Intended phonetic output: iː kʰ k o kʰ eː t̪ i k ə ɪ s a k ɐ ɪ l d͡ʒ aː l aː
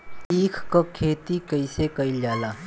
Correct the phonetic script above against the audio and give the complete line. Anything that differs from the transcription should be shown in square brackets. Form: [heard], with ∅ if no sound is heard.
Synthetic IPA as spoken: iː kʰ k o kʰ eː t̪ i k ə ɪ s [e] k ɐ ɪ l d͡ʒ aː l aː